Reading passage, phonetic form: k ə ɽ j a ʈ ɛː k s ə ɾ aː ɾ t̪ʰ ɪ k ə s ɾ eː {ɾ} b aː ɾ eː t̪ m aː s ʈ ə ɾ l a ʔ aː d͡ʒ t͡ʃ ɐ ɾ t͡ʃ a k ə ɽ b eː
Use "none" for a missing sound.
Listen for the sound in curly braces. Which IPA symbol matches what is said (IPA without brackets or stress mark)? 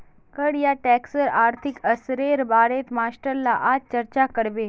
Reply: ɾ